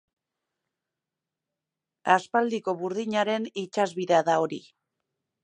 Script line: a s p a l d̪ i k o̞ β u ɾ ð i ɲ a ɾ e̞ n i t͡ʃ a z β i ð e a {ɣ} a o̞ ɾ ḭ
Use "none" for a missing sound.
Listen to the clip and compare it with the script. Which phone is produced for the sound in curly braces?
ð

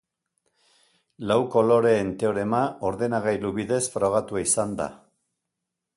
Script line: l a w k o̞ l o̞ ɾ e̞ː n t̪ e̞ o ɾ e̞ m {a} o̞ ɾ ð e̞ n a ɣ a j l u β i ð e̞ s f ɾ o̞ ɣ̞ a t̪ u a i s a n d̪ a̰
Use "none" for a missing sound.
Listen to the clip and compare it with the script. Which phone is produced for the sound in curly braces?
a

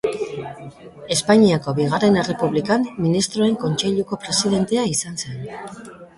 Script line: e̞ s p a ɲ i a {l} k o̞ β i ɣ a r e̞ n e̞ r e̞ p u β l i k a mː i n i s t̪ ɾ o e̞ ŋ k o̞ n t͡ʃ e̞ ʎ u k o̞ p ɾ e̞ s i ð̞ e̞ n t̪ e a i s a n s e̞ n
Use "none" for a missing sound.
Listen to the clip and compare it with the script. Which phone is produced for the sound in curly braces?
none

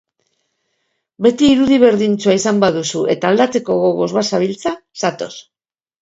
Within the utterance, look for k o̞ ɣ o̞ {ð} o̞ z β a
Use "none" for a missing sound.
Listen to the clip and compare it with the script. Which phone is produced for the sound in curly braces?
ɣ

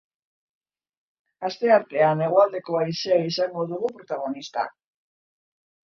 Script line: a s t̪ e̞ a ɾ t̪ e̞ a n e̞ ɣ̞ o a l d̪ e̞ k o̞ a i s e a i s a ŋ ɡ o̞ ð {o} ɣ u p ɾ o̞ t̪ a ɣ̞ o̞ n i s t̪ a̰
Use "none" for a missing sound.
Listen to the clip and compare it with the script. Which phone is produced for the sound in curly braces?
u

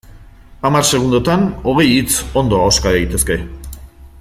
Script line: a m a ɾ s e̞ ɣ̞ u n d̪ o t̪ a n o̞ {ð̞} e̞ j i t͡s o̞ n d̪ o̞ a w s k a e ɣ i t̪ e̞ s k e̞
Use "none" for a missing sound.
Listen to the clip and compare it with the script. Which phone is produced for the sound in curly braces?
ɣ̞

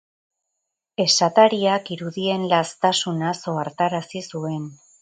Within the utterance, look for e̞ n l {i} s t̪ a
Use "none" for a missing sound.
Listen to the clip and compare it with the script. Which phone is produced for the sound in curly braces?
a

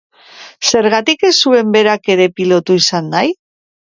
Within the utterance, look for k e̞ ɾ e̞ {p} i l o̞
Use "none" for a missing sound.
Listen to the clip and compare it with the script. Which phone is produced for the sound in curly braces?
p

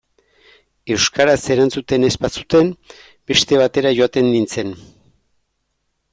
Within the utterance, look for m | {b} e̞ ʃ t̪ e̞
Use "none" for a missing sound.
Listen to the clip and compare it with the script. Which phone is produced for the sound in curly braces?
b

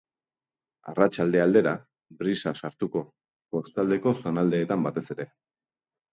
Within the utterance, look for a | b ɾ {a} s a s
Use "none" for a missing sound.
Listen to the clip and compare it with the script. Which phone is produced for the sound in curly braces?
i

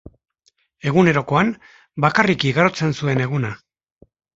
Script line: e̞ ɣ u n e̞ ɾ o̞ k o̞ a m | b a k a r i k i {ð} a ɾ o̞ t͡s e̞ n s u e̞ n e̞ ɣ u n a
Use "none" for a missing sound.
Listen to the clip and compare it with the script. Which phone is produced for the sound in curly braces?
ɣ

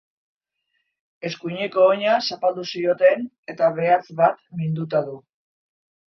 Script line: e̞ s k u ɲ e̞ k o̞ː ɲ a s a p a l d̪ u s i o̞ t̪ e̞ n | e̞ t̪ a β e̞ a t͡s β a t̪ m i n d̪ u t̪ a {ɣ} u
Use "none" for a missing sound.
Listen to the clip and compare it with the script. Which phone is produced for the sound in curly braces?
ð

